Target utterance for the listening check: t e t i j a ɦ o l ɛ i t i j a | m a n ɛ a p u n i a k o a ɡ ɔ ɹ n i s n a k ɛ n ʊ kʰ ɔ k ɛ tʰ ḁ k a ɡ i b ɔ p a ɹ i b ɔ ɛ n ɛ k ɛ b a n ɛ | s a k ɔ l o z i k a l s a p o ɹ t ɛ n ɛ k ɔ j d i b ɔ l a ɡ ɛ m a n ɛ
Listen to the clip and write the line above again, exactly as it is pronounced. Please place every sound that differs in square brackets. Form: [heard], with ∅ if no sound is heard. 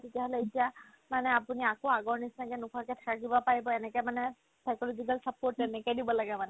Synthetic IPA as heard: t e t i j a ɦ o l ɛ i t i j a | m a n ɛ a p u n i a k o a ɡ ɔ ɹ n i s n a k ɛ n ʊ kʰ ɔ k ɛ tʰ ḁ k a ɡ i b ɔ p a ɹ i b ɔ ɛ n ɛ k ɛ [m] a n ɛ | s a k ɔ l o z i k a l s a p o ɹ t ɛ n ɛ k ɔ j d i b ɔ l a ɡ ɛ m a n ɛ